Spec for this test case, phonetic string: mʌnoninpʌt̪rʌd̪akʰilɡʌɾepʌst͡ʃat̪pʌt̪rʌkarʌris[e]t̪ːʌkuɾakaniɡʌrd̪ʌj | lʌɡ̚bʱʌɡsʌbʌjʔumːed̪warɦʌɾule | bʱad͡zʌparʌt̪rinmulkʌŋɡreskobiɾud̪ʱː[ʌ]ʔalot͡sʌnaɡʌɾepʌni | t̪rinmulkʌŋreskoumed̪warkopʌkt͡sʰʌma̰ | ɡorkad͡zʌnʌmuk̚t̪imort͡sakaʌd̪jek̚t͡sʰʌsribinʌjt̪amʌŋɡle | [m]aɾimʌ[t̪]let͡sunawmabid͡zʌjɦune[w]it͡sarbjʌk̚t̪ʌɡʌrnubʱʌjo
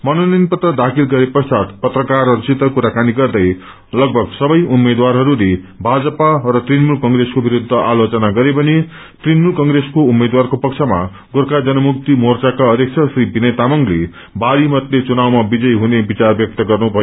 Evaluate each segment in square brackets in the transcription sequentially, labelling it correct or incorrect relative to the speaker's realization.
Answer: incorrect: i, correct, incorrect: b, correct, incorrect: b

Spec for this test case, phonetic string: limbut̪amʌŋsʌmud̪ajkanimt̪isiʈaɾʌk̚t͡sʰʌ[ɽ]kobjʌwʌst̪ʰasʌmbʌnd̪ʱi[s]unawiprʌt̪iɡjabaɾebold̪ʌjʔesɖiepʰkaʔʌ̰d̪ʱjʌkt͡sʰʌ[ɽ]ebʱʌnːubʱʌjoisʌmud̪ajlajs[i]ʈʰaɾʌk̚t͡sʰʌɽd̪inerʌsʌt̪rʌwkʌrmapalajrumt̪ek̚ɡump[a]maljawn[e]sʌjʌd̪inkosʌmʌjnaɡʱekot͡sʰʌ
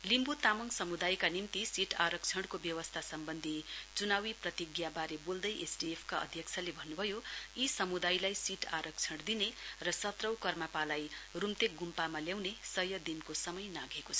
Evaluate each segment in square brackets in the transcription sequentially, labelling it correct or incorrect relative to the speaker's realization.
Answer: correct, incorrect: t͡s, incorrect: l, correct, correct, correct

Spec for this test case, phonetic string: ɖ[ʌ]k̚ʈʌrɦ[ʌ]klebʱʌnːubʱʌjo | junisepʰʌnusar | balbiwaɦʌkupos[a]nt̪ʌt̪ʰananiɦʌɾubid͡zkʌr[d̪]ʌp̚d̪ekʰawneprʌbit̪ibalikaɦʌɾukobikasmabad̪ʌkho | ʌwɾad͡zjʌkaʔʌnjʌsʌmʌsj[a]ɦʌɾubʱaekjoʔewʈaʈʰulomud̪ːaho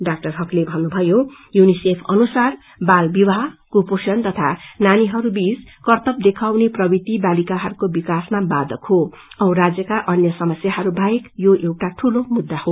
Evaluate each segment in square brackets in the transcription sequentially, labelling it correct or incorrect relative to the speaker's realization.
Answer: incorrect: a, correct, incorrect: ʌ, incorrect: t̪, correct

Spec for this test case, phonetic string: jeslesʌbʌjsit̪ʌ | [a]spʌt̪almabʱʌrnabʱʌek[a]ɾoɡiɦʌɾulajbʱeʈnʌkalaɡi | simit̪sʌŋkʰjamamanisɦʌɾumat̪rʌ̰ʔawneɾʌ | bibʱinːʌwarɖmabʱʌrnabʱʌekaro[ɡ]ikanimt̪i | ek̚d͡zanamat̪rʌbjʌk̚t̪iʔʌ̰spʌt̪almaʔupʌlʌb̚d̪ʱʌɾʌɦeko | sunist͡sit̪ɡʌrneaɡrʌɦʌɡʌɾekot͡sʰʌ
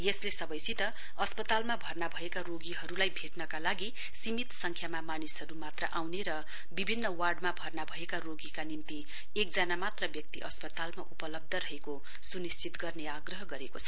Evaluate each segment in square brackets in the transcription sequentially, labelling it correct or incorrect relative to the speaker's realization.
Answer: incorrect: ʌ, correct, correct

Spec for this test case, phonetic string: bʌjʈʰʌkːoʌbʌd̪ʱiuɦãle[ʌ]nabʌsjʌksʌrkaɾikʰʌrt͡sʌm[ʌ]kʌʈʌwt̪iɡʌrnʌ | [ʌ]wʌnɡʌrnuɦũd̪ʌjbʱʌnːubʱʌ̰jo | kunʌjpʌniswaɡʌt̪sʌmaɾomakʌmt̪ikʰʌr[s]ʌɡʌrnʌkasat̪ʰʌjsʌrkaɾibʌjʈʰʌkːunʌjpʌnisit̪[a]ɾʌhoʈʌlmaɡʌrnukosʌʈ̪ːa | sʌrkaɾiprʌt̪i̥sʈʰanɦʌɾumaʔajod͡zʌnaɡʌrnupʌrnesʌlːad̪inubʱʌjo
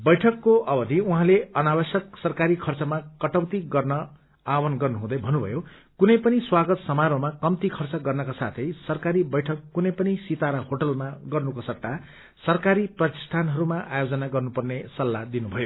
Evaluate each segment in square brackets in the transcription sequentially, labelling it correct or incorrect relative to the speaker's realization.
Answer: correct, incorrect: a, incorrect: a, incorrect: t͡s, correct

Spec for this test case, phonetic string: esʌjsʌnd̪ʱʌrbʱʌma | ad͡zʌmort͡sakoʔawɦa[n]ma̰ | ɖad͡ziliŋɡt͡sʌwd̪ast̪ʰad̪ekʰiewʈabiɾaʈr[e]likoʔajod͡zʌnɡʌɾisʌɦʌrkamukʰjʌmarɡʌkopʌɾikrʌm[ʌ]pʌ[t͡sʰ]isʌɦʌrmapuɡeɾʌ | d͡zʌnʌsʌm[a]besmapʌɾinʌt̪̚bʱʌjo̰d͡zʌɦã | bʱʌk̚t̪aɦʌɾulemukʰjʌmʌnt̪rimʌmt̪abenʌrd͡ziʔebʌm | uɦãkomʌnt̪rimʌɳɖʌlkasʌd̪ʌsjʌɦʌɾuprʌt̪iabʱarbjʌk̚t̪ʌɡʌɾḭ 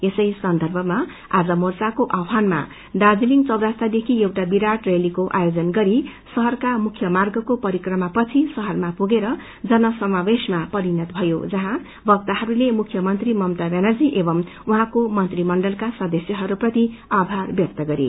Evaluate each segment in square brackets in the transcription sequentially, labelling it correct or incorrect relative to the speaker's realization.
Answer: correct, correct, incorrect: a, correct, correct

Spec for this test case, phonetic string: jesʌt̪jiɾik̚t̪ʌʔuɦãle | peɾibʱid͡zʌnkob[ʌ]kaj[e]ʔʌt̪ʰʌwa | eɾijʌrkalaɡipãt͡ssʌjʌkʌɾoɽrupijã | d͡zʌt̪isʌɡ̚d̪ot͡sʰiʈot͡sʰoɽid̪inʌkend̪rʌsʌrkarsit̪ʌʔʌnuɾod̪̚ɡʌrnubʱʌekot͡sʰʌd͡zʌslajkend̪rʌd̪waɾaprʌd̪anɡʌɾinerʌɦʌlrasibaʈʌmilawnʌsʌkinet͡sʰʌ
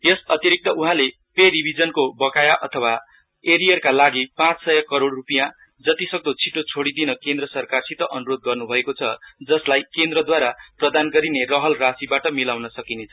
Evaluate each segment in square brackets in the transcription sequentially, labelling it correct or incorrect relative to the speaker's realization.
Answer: correct, incorrect: a

